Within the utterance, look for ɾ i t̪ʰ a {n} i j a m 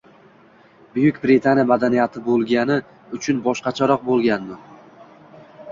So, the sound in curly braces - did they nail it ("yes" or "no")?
yes